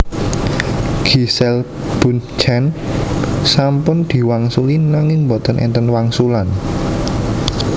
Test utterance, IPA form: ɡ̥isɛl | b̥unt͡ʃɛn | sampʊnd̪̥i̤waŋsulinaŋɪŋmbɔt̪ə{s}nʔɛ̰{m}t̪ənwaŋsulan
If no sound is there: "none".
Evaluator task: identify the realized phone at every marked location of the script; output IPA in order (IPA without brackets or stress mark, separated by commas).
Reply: none, n